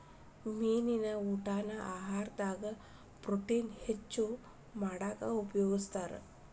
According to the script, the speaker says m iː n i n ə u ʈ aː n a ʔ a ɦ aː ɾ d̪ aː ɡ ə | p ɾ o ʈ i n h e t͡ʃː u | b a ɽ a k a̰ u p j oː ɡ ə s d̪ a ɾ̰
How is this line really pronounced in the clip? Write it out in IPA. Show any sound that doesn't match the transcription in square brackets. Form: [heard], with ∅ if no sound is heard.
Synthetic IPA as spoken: m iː n i n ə u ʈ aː n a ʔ a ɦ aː ɾ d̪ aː ɡ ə | p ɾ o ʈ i n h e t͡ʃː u | [m] a ɽ a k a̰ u p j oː ɡ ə s [t̪] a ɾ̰